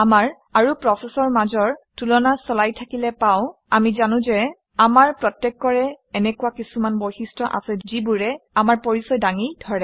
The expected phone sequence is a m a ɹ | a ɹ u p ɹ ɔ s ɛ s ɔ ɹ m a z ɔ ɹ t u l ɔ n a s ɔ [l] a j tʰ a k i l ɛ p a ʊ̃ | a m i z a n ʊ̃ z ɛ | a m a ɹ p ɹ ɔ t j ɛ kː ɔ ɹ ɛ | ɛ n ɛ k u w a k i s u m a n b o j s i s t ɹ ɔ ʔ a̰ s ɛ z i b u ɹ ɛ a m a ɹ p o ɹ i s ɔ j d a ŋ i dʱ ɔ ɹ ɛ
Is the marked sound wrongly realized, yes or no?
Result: no